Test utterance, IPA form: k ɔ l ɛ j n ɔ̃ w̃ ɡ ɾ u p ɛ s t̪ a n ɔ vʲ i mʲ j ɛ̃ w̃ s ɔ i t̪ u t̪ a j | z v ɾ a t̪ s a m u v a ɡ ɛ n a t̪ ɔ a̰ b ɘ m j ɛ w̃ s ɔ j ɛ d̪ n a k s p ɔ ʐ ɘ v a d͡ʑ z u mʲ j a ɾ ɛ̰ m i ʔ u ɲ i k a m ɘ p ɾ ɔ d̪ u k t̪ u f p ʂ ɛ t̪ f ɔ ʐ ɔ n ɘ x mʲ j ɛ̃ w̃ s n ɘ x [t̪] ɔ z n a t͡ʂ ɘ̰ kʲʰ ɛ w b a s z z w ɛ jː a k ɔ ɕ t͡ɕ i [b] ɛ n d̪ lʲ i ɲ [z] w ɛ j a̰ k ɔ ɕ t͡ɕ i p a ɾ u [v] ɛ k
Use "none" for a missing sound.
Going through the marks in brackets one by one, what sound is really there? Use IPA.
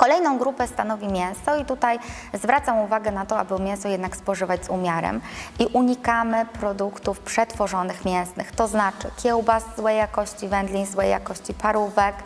t̪, v, z, v

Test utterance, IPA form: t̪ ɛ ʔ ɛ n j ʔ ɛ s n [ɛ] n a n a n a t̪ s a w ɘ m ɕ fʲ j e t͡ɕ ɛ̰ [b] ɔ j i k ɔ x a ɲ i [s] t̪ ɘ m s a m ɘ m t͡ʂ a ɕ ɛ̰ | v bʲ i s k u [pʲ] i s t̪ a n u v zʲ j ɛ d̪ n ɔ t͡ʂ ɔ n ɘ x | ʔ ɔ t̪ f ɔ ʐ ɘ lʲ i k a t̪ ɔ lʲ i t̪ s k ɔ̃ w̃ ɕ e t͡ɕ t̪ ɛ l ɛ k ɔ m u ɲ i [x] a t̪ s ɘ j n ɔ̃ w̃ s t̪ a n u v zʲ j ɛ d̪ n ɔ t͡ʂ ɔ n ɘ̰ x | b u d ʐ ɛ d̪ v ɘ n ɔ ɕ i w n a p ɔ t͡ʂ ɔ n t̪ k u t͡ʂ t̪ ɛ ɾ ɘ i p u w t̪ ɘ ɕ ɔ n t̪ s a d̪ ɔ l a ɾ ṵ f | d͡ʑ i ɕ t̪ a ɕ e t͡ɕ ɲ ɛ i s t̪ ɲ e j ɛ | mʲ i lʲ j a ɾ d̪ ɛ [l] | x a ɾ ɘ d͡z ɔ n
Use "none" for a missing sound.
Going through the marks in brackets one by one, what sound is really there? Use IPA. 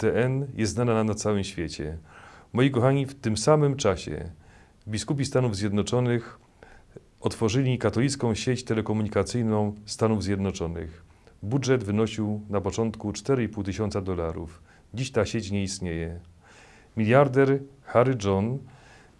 a, m, f, pʲ, k, ɾ

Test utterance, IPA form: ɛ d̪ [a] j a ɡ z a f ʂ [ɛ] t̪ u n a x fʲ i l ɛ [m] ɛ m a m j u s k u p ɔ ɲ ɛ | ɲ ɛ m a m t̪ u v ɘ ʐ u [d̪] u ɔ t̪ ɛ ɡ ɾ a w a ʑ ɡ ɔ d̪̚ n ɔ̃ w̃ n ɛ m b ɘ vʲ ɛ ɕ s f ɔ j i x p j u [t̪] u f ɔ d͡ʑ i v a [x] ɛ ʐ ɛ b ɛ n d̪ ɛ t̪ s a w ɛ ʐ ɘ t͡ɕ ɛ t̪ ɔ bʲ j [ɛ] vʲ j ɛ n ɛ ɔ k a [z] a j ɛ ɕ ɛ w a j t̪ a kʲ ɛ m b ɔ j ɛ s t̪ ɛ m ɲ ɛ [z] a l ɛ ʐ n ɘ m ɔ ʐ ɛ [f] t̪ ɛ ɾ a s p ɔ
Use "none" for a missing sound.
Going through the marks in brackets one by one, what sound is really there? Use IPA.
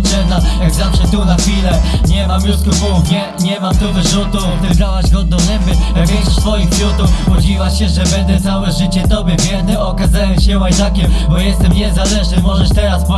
a, ɛ, ɲ, t̪, t̪, ɕ, ɛ, z, z, ʂ

